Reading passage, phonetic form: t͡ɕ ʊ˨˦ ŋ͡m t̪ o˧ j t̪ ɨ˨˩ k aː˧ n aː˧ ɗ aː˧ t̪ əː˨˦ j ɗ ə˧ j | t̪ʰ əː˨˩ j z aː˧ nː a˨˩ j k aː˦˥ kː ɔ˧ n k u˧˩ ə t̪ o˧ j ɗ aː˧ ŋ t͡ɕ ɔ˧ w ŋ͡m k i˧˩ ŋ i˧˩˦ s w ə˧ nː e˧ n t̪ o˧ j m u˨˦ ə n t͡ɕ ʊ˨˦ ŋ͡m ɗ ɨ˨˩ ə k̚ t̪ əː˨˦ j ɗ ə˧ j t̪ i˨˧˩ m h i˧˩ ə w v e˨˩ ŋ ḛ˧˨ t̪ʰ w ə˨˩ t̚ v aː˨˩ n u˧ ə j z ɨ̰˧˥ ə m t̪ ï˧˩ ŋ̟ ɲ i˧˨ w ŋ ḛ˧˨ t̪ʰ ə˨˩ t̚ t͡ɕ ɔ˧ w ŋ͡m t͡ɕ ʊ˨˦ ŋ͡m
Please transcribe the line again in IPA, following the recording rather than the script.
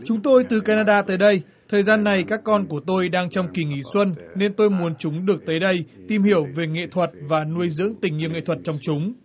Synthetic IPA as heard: t͡ɕ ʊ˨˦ ŋ͡m t̪ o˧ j t̪ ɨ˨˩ k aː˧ n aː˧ ɗ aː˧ t̪ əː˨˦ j ɗ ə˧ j | t̪ʰ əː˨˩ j z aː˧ nː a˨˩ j k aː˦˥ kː ɔ˧ n k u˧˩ ə t̪ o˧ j ɗ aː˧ ŋ t͡ɕ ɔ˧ w ŋ͡m k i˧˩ ŋ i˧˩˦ s w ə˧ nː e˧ n t̪ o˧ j m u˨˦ ə n t͡ɕ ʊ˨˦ ŋ͡m ɗ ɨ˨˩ ə k̚ t̪ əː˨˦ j ɗ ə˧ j t̪ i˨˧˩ m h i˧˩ ə w v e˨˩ ŋ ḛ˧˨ t̪ʰ w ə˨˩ t̚ v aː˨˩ n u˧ ə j z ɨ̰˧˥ ə ŋ t̪ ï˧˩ ŋ̟ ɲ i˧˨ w ŋ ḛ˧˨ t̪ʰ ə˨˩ t̚ t͡ɕ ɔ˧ w ŋ͡m t͡ɕ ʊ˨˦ ŋ͡m